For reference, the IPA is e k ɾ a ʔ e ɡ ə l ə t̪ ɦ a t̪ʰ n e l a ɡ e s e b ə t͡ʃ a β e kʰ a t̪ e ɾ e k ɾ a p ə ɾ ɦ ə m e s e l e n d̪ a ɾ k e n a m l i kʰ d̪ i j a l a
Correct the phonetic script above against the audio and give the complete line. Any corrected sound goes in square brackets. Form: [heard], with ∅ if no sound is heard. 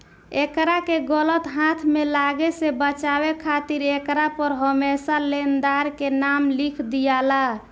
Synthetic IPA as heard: e k ɾ a [k] e ɡ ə l ə t̪ ɦ a t̪ʰ [m] e l a ɡ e s e b ə t͡ʃ a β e kʰ a t̪ [i] ɾ e k ɾ a p ə ɾ ɦ ə m e s [a] l e n d̪ a ɾ k e n a m l i kʰ d̪ i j a l a

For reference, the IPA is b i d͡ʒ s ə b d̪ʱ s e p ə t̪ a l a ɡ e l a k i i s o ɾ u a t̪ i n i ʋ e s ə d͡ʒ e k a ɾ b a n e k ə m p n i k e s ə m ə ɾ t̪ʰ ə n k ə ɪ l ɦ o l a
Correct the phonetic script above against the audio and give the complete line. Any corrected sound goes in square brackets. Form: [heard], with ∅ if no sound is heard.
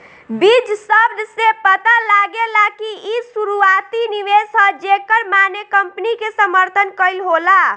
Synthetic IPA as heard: b i d͡ʒ s ə b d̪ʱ s e p ə t̪ a l a ɡ e l a k i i s [u] ɾ u a t̪ i n i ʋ e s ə d͡ʒ e k [ə] ɾ [m] a n e k ə m p n i k e s ə m ə ɾ t̪ʰ ə n k ə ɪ l ɦ o l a

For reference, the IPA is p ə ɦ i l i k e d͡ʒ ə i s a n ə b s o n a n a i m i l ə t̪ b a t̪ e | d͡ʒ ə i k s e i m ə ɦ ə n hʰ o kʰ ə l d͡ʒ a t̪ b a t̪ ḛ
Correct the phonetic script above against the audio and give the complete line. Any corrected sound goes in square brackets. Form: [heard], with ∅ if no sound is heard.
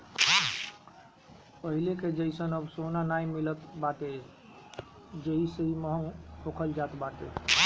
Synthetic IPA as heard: p ə ɦ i l [e] k e d͡ʒ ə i s [ə] n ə b s o n a n a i m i l ə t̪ b a t̪ e | d͡ʒ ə i [∅] s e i m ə ɦ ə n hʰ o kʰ ə l d͡ʒ a t̪ b a t̪ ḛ

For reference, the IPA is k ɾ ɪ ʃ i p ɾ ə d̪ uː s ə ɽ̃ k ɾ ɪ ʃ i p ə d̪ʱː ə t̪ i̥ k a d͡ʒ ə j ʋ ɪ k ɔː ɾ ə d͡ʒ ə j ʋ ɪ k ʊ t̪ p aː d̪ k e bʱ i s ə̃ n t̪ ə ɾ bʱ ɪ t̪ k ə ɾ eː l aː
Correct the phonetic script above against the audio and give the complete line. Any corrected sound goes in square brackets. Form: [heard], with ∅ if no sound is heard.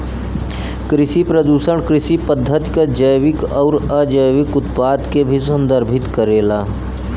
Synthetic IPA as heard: k ɾ ɪ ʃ i p ɾ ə d̪ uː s ə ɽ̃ k ɾ ɪ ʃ i p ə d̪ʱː ə t̪ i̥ k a d͡ʒ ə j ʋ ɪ k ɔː ɾ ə d͡ʒ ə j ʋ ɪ k ʊ t̪ p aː d̪ k e bʱ i s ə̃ n [d̪] ə ɾ bʱ ɪ t̪ k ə ɾ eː l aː

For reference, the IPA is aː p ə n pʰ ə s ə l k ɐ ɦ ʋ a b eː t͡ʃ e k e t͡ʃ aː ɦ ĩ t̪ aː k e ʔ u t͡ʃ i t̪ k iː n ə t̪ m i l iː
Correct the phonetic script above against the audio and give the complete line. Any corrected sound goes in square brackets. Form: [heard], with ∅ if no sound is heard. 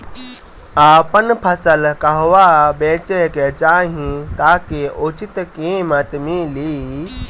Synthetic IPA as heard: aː p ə n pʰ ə s ə l k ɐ ɦ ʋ a b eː t͡ʃ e k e t͡ʃ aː ɦ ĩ t̪ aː k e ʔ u t͡ʃ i t̪ k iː [m] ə t̪ m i l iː

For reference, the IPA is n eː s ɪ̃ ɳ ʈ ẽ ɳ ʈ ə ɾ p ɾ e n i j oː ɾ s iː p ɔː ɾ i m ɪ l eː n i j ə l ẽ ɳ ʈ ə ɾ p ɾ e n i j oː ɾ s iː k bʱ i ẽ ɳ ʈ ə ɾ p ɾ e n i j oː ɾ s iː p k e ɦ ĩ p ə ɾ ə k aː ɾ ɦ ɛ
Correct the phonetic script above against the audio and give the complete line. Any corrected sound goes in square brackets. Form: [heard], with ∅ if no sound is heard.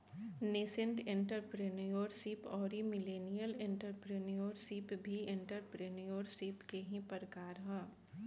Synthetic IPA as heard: n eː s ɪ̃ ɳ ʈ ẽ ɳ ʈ ə ɾ p ɾ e n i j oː ɾ s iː p ɔː ɾ i m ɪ l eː n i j ə l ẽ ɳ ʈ ə ɾ p ɾ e n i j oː ɾ s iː [p] bʱ i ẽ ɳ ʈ ə ɾ p ɾ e n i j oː ɾ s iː p k e ɦ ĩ p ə ɾ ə k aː ɾ ɦ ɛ

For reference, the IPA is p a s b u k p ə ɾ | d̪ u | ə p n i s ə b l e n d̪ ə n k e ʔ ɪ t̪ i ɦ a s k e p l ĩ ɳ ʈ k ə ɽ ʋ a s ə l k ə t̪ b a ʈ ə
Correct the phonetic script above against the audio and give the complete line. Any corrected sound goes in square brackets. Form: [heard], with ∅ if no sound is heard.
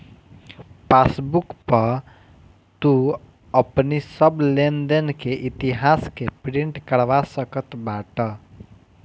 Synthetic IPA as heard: p a s b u k p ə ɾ | [t̪] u | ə p n i s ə b l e n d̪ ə n k e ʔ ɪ t̪ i ɦ a s k e p [ɾ] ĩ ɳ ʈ k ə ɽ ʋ a s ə [∅] k ə t̪ b a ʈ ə

